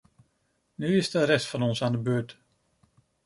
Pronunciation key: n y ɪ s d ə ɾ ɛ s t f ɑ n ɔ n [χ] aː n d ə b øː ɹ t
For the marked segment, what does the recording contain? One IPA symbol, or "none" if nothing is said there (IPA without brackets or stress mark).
s